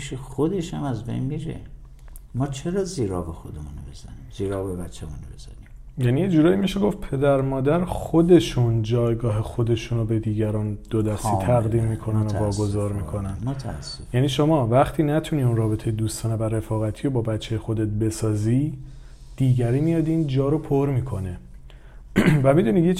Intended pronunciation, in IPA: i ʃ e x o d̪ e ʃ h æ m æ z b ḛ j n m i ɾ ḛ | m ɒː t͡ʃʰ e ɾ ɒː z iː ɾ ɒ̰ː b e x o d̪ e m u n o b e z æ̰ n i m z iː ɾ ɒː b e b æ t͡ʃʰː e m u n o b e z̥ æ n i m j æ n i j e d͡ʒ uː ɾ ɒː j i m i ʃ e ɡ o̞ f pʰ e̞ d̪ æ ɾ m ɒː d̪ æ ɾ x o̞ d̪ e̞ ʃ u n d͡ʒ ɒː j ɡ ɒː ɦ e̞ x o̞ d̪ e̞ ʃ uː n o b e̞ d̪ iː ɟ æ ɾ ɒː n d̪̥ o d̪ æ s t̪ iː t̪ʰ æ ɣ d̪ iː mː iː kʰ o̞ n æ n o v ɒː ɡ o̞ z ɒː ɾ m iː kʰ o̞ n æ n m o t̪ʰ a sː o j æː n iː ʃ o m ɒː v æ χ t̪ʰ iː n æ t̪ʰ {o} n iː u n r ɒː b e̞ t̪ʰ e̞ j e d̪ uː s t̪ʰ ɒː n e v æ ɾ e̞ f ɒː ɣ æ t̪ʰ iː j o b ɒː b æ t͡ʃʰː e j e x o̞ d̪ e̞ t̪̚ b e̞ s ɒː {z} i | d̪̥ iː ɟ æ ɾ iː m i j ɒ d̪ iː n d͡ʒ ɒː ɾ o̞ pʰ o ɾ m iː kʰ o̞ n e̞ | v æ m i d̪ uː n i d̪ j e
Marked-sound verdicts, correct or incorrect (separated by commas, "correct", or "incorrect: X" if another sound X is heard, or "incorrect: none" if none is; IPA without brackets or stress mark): incorrect: u, correct